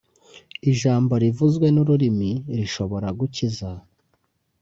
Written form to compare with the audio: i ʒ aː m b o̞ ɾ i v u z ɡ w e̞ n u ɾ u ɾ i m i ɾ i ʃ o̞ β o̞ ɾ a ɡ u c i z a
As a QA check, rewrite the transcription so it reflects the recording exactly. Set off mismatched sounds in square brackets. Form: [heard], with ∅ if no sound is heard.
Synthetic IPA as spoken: i ʒ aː m b o̞ ɾ i v u z ɡ w e̞ n u ɾ u ɾ i m i ɾ i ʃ o̞ β o̞ ɾ a ɡ u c i z a